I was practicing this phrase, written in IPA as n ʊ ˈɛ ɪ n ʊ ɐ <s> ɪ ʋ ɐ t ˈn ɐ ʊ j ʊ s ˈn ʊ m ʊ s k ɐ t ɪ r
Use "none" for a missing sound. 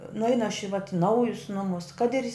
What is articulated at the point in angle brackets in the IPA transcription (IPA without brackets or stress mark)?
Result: ʃ